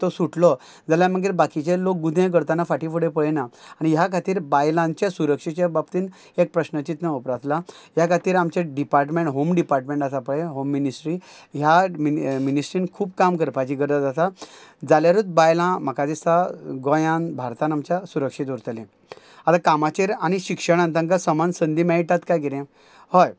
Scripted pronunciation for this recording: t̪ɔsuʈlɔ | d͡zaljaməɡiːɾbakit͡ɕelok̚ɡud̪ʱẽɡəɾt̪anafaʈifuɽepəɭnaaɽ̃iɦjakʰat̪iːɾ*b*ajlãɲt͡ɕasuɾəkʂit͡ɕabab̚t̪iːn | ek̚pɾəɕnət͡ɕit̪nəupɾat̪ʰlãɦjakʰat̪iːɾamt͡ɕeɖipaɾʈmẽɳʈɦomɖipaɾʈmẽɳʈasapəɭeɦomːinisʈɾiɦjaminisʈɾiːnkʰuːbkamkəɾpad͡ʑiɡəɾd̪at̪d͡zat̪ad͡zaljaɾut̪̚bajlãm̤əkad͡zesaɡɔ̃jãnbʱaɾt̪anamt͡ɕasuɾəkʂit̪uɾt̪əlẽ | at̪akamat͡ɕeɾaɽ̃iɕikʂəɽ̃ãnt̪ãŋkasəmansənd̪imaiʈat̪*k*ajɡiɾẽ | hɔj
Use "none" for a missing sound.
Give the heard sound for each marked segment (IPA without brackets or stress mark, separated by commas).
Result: b, k